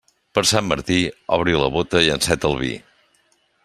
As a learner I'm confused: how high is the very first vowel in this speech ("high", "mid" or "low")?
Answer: mid